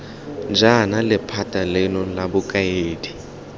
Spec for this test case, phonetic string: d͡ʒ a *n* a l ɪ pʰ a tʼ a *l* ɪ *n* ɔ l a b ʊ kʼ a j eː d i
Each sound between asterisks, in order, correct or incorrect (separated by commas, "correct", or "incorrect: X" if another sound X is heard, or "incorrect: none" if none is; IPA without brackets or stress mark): correct, correct, correct